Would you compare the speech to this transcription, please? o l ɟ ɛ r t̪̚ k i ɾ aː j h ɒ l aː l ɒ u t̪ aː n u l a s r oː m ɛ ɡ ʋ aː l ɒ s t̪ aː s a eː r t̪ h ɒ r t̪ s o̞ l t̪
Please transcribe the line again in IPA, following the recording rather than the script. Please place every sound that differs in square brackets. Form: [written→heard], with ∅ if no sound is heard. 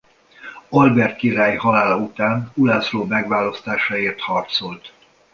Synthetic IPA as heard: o l [ɟ→b] ɛ r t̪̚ k i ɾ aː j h ɒ l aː l ɒ u t̪ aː n u l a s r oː m ɛ ɡ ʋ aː l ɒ s t̪ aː [s→ʃ] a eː r t̪ h ɒ r t̪ s o̞ l t̪